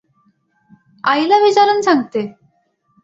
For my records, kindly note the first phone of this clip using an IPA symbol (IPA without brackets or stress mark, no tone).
a